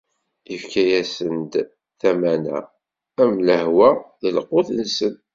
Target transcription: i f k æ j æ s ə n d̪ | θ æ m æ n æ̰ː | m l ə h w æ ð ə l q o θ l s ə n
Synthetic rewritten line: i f k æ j æ s ə n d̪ | θ æ m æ n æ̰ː | m l ə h w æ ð ə l q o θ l s ə n